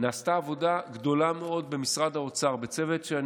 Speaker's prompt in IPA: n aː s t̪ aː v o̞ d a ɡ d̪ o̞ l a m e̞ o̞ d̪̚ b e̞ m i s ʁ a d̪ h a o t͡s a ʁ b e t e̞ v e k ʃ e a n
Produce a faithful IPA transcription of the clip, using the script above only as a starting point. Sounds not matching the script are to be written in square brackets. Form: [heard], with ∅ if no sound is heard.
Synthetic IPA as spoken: n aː s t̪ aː v o̞ d a ɡ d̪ o̞ l a m e̞ o̞ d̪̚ b e̞ m i s ʁ a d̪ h a o t͡s a ʁ b e [t͡s] e̞ v e [t] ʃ e a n